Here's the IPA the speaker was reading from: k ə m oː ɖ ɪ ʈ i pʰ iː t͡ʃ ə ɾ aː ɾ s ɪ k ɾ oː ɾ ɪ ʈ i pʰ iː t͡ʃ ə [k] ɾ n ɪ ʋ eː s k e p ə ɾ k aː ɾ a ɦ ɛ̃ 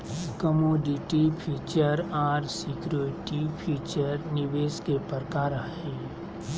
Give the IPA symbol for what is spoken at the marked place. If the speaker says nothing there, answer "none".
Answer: none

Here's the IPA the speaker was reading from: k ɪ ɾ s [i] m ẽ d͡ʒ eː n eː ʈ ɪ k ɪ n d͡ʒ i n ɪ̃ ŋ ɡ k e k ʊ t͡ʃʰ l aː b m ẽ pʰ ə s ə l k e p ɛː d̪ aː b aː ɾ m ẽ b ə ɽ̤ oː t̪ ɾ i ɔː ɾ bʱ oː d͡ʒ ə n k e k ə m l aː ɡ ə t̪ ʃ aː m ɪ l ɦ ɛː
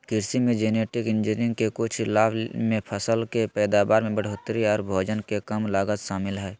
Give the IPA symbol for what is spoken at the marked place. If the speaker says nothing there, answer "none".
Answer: i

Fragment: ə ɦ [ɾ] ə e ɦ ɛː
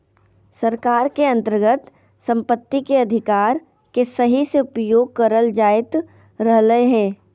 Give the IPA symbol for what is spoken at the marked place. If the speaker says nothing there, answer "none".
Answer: l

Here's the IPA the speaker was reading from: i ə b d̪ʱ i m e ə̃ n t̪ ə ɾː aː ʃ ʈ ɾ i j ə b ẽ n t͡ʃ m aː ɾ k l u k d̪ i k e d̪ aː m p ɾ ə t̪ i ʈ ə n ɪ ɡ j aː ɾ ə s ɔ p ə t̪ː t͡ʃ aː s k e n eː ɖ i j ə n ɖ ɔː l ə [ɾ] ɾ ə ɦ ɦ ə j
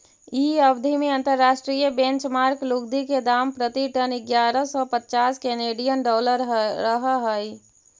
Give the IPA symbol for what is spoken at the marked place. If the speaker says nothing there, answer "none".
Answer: ɾ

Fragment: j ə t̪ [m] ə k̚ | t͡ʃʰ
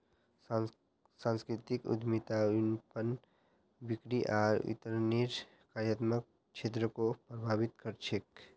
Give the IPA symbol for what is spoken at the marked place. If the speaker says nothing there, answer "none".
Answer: m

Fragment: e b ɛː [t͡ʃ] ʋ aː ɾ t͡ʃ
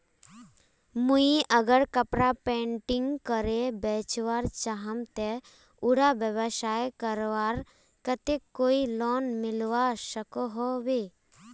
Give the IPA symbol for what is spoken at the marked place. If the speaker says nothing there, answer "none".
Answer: t͡ʃ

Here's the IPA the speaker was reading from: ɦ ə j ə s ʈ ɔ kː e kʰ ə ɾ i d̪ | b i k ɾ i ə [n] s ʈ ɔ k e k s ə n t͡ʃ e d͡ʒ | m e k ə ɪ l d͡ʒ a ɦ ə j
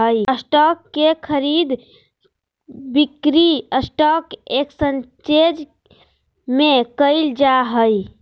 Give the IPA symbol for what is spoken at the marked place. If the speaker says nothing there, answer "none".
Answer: none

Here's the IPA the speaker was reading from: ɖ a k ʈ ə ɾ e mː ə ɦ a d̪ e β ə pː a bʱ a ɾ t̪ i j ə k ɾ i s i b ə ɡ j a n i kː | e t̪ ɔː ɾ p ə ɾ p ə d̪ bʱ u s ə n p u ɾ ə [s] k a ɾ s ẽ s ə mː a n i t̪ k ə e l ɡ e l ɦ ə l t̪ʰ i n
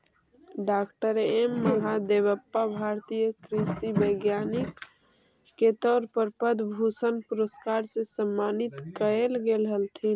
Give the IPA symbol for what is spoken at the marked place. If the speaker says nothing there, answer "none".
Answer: s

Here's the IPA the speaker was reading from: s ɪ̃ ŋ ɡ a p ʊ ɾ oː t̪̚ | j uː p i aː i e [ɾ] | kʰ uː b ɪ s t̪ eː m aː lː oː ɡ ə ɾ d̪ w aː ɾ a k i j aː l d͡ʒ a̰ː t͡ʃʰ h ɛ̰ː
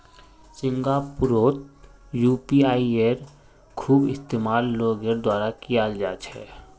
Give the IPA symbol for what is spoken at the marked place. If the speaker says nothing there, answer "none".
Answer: ɾ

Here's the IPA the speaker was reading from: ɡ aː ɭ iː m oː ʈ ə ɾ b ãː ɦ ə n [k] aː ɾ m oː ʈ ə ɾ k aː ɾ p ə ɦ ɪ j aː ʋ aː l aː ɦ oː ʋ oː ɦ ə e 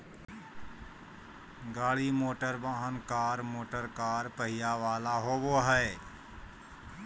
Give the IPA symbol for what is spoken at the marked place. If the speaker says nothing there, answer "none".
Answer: k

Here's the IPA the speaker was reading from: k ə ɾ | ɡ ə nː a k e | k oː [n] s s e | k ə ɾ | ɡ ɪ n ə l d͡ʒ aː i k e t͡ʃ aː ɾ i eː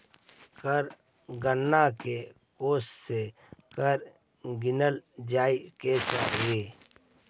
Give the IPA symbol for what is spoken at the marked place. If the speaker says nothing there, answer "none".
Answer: none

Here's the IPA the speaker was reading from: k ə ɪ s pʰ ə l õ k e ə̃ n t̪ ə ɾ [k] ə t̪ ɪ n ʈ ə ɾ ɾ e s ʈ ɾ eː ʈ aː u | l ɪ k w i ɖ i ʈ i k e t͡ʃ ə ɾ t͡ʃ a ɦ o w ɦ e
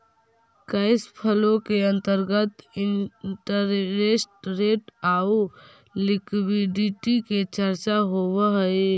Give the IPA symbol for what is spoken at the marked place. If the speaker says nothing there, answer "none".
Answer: ɡ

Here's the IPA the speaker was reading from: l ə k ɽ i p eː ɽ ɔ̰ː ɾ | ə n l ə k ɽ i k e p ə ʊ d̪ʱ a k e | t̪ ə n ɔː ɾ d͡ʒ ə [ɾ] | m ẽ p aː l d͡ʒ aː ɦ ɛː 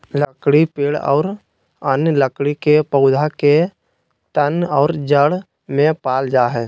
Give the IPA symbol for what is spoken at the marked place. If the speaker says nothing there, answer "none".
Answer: ɽ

